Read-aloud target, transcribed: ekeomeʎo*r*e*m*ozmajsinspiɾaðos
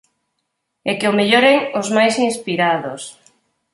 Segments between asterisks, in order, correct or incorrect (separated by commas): incorrect, incorrect